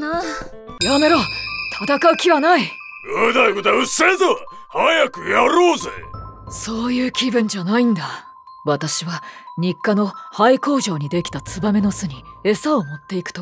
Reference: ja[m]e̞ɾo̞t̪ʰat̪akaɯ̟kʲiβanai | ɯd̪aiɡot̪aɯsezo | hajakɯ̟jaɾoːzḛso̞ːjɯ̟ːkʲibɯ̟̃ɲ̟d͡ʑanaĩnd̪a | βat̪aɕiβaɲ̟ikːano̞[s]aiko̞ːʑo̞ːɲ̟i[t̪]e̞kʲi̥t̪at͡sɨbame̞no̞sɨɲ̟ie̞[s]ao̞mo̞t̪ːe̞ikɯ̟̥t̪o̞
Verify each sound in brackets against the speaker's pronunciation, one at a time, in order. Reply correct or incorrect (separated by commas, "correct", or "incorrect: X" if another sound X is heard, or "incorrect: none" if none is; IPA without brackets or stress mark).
correct, incorrect: h, incorrect: d̪, correct